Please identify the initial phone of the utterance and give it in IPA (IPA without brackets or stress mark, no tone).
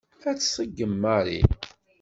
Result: æ